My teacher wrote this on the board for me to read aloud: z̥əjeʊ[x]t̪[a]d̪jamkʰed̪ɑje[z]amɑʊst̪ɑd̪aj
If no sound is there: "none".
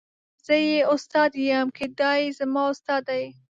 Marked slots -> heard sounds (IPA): s, ɑ, z

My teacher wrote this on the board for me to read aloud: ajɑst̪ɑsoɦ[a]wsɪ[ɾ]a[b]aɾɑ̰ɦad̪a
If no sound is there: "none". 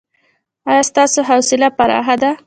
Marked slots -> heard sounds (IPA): a, l, p

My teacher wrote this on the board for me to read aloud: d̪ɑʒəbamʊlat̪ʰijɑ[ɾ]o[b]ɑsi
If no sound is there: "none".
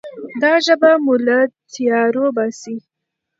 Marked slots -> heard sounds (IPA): ɾ, b

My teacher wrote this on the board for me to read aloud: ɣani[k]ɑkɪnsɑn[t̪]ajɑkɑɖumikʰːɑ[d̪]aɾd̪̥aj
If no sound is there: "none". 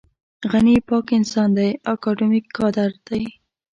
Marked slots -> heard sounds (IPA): p, d̪, d̪

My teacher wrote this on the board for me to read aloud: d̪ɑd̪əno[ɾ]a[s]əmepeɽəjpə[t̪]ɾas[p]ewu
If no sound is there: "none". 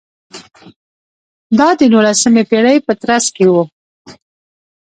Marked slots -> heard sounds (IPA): l, s, t̪, k

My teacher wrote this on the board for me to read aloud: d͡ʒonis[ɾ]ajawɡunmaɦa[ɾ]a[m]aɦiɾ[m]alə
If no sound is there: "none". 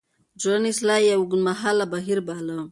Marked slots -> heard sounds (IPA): l, l, b, b

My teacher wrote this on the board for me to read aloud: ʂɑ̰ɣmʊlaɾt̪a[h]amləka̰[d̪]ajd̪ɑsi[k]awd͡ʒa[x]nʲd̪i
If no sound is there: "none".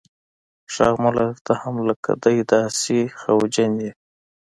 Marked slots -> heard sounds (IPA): h, d̪, x, none

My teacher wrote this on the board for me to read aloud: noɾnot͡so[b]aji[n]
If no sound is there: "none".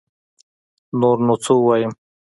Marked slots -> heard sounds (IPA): w, m

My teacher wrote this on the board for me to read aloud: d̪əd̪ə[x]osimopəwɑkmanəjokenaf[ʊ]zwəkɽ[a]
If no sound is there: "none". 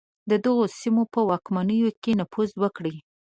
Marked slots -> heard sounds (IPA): ɣ, u, i

